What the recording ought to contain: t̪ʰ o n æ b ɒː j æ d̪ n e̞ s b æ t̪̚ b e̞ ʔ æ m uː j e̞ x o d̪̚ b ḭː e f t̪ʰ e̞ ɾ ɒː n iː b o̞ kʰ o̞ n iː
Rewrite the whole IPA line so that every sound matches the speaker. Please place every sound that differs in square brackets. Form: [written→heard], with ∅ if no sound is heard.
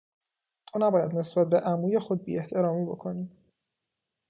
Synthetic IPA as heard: t̪ʰ o n æ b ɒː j æ d̪ n e̞ s b æ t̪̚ b e̞ ʔ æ m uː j e̞ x o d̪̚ b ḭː e [f→h] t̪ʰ e̞ ɾ ɒː [n→m] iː b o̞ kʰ o̞ n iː

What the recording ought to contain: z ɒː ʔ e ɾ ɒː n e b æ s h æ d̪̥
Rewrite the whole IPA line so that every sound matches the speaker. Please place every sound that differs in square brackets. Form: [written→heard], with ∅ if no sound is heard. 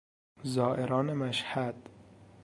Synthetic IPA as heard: z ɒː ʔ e ɾ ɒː n e [b→m] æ [s→ʃ] h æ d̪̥

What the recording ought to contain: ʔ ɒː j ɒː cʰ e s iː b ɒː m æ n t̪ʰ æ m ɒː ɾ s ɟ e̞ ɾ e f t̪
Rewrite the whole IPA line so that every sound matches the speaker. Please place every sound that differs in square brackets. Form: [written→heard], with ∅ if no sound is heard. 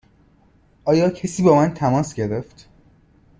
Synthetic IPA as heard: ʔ ɒː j ɒː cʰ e s iː b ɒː m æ n t̪ʰ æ m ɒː [ɾ→∅] s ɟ e̞ ɾ e f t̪

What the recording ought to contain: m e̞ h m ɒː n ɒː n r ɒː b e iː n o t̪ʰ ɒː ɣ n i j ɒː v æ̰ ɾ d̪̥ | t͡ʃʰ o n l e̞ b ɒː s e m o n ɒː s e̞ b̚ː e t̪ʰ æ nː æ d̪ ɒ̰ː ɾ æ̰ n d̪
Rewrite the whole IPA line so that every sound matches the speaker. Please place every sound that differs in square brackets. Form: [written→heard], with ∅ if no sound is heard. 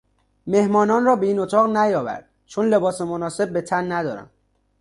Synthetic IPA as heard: m e̞ h m ɒː n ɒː n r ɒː b e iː n o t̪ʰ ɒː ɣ n [i→æ] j ɒː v æ̰ ɾ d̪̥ | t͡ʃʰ o n l e̞ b ɒː s e m o n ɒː s e̞ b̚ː e t̪ʰ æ nː æ d̪ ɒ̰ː ɾ æ̰ n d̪

